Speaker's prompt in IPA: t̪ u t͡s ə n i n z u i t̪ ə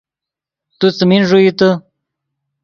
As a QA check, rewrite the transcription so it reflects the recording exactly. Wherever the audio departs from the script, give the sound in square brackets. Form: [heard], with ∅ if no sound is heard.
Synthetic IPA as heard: t̪ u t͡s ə [m] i n [ʐ] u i t̪ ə